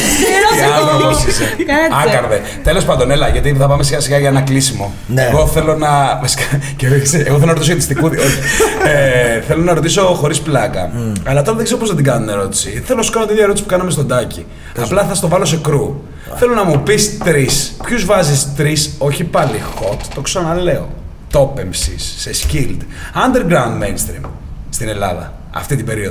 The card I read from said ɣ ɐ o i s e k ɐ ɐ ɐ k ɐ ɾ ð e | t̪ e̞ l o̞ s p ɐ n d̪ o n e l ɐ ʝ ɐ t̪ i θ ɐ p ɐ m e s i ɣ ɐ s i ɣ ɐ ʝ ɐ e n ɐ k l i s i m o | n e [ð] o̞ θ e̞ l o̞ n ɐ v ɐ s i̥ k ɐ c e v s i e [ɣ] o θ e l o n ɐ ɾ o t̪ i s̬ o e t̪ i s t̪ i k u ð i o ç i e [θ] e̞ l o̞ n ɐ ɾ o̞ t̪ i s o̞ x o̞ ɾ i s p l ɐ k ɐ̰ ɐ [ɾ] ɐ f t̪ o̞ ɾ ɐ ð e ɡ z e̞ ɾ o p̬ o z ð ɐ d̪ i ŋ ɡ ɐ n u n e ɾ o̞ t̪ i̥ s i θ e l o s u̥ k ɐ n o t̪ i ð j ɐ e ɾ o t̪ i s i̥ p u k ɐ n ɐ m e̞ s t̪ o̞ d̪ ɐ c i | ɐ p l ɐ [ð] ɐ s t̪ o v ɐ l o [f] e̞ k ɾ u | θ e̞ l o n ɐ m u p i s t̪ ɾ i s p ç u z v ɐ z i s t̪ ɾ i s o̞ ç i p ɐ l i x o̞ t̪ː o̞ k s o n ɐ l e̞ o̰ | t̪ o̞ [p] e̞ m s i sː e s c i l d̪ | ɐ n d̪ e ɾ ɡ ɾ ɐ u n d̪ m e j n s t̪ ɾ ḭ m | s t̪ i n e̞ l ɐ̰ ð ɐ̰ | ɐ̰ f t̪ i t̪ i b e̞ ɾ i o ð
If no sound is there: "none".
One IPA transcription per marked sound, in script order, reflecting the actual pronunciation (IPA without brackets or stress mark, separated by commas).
ɣ, ɣ, θ, l, θ, s, p